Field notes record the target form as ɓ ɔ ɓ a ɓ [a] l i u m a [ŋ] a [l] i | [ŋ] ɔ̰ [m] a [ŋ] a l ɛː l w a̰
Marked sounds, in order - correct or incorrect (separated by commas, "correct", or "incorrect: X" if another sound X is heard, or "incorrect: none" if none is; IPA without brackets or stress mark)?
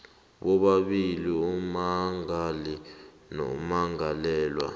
incorrect: i, correct, correct, incorrect: n, correct, correct